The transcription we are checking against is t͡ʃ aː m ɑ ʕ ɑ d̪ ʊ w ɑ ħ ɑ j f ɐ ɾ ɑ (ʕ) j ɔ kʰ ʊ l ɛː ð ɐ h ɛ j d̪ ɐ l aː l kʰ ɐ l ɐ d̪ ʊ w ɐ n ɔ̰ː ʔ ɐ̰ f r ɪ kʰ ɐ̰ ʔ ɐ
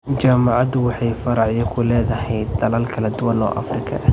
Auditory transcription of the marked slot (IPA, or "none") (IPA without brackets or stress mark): ʕ